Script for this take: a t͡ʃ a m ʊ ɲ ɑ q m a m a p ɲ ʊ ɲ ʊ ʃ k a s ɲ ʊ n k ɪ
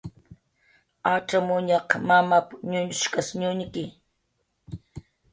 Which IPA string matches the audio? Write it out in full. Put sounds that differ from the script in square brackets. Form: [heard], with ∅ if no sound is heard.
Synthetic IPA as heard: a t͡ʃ a m ʊ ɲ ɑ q m a m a p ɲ ʊ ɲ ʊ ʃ k a s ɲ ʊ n k ɪ